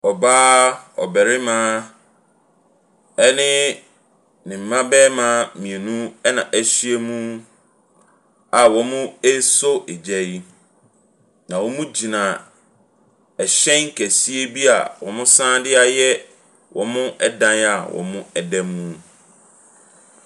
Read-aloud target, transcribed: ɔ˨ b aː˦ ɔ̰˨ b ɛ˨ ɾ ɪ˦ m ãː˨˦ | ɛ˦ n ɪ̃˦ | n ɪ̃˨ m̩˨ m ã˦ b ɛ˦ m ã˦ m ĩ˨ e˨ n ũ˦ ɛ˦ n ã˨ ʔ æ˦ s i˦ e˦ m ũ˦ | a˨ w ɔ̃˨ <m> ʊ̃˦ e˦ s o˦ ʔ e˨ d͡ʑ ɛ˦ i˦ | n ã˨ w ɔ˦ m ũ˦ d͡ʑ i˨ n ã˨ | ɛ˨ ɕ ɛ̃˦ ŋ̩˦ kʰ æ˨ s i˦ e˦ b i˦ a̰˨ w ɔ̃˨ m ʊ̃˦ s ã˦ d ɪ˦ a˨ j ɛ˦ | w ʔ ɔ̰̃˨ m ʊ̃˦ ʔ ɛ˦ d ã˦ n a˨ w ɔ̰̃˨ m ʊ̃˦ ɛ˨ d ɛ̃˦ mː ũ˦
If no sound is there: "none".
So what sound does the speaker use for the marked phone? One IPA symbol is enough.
m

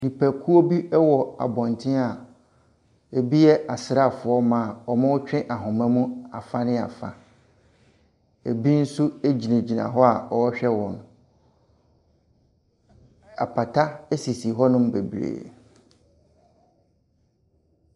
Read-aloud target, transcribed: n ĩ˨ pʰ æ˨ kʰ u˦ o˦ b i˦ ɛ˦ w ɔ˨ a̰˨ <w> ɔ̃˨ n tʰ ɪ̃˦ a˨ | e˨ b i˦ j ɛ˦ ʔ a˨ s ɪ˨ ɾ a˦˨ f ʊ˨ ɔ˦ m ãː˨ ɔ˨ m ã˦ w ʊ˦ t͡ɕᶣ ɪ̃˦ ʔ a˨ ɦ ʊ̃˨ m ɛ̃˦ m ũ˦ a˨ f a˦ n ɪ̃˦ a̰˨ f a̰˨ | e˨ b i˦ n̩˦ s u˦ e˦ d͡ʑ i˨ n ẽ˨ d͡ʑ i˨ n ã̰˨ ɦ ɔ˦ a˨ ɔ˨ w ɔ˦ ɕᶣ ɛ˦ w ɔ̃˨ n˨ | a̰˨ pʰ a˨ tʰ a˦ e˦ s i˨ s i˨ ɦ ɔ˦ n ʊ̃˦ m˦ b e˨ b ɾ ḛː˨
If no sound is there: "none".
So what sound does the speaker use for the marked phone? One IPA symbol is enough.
b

